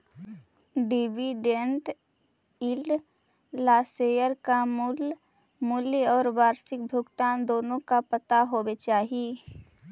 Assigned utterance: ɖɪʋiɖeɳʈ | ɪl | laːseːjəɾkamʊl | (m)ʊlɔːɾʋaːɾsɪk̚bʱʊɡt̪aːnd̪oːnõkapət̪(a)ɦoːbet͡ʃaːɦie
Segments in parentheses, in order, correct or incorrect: correct, correct

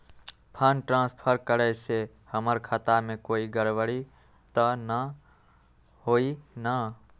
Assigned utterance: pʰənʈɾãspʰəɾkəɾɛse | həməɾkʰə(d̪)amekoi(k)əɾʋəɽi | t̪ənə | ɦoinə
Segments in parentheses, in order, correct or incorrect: incorrect, incorrect

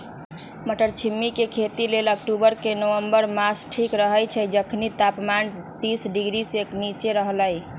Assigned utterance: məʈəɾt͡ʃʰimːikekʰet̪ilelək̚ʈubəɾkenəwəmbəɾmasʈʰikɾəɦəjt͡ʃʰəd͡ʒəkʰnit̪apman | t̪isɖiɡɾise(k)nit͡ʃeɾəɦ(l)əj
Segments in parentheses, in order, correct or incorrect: correct, correct

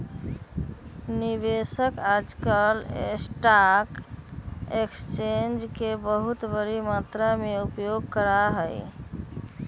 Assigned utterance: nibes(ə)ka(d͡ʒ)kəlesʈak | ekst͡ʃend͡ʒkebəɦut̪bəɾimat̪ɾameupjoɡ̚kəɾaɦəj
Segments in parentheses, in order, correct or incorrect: correct, correct

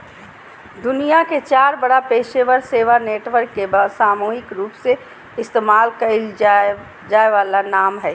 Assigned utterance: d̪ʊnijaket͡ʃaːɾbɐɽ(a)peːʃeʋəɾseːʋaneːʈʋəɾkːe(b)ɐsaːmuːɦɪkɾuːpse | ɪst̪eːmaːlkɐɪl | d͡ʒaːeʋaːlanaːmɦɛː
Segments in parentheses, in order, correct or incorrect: correct, correct

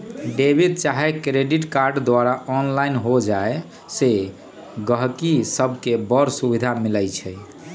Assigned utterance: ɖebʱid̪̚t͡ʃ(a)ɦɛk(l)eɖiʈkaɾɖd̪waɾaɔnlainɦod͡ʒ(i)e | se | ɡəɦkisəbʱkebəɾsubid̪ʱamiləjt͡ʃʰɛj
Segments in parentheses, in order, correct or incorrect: correct, incorrect, incorrect

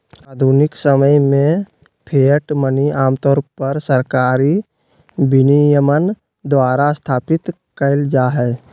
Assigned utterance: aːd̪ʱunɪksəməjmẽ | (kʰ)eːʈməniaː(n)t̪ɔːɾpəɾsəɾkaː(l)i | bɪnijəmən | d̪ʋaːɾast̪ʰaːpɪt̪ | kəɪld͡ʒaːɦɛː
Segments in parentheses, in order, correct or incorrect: incorrect, incorrect, incorrect

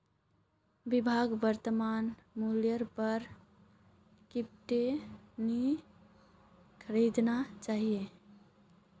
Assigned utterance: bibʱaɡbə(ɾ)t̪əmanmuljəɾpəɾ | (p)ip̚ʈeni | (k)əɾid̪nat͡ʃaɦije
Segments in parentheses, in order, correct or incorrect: correct, incorrect, incorrect

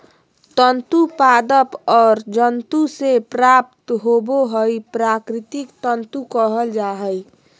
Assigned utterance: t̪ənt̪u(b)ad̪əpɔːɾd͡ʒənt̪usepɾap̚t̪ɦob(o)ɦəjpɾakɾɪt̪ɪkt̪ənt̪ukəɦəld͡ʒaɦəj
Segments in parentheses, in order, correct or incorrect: incorrect, correct

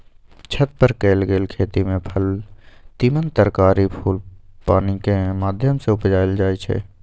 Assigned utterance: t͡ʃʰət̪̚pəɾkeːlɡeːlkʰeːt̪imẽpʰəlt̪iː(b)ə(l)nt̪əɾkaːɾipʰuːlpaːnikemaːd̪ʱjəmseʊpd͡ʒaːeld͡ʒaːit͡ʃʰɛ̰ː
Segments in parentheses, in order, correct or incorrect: incorrect, incorrect

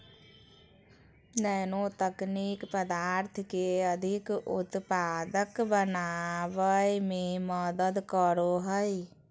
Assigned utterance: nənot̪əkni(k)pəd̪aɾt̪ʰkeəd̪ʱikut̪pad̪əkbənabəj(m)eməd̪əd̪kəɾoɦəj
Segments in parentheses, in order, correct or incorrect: correct, correct

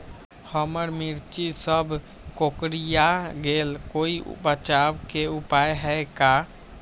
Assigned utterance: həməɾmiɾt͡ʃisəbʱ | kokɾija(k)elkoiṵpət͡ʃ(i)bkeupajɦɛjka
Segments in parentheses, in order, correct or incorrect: incorrect, incorrect

